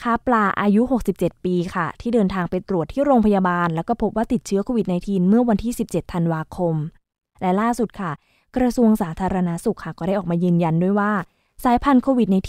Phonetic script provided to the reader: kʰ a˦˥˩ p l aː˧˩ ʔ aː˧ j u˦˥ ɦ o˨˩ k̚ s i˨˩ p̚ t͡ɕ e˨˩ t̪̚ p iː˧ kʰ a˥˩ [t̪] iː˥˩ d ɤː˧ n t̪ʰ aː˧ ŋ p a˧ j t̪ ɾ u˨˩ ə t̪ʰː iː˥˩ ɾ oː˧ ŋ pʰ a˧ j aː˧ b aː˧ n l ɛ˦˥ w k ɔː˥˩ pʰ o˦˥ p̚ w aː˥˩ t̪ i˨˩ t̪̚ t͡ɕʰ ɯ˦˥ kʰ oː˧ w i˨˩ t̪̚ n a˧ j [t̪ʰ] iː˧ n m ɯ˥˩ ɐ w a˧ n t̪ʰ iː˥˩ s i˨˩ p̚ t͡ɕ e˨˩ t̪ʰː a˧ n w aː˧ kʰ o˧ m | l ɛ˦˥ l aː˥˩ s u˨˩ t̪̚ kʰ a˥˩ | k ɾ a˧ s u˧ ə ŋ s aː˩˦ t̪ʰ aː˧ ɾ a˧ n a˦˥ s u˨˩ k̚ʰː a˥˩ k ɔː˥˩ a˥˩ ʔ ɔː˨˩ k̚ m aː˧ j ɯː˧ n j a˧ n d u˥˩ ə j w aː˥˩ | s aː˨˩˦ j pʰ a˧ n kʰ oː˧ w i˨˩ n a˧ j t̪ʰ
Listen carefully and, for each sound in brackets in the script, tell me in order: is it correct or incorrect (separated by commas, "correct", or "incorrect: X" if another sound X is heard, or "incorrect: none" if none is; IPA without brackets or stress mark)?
incorrect: t̪ʰ, correct